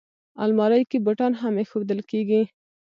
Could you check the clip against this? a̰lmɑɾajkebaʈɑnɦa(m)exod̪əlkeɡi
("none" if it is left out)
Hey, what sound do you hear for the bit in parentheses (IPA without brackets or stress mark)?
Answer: m